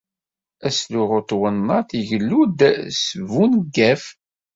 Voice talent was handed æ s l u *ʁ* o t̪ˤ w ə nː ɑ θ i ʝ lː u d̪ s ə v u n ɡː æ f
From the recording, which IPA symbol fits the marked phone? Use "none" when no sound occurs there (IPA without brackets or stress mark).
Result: ʁ